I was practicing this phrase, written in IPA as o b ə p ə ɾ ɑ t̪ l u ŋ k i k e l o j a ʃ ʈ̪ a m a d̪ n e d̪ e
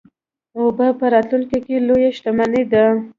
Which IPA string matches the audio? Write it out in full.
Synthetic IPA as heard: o b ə p ə ɾ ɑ t̪ l u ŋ k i k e l o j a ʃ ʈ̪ a m a n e d̪ a